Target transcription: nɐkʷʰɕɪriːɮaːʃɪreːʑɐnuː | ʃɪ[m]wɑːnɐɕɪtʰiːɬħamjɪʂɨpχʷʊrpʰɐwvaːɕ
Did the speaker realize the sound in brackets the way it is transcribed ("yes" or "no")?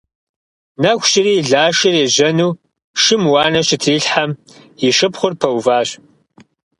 yes